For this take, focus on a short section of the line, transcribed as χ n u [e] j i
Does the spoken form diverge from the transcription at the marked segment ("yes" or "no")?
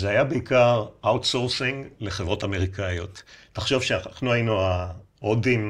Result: yes